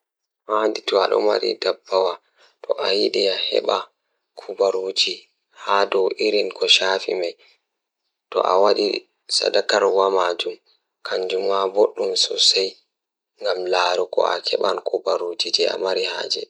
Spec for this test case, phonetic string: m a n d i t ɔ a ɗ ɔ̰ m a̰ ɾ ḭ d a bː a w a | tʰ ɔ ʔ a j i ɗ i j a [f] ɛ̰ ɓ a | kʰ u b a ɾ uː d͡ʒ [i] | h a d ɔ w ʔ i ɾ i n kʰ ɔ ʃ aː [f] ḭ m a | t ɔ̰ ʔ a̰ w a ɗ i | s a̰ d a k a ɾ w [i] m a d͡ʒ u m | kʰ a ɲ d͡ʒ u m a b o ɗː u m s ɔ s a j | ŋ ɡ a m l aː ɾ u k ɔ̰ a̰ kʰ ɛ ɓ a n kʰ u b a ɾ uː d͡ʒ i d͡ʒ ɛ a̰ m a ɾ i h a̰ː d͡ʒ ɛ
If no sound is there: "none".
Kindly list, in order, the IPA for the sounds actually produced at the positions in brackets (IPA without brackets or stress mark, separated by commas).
h, i, f, a